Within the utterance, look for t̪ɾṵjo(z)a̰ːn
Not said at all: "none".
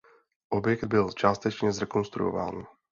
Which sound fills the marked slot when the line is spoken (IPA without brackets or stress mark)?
v